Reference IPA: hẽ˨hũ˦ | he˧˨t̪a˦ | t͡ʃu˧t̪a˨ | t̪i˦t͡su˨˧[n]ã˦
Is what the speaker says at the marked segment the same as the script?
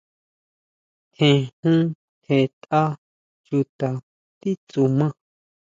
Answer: no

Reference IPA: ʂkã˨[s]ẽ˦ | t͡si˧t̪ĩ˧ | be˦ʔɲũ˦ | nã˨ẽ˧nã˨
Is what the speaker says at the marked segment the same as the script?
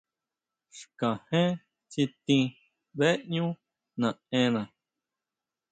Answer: no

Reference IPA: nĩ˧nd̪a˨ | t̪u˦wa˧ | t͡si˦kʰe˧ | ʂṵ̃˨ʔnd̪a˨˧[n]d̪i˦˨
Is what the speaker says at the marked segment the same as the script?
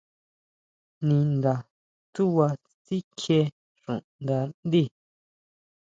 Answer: yes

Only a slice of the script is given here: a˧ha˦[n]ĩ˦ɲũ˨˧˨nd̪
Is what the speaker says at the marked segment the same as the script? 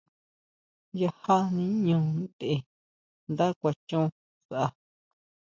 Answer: yes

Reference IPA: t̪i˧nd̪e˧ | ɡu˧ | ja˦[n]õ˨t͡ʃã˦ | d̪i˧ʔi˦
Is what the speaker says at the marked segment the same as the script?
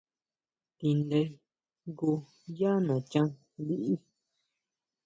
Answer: yes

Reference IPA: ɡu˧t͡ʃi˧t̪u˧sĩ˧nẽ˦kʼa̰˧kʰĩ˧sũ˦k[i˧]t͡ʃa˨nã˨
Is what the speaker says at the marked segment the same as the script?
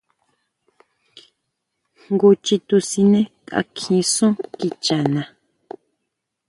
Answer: yes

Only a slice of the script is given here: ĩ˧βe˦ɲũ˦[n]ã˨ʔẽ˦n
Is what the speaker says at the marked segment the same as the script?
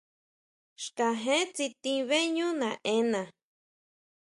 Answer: yes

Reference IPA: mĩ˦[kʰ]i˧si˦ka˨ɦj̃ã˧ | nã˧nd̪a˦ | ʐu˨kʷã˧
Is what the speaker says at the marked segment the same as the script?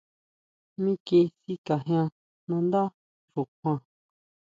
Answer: no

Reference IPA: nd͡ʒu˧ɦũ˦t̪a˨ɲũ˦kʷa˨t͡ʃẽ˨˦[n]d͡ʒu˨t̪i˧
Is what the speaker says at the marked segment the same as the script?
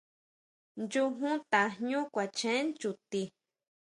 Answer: yes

